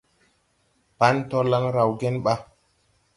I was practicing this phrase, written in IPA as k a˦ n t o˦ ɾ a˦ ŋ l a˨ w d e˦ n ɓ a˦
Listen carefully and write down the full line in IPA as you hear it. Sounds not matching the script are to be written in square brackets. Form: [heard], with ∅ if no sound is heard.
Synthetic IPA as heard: [p] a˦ n t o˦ [l] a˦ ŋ [ɾ] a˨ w [ɡ] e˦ n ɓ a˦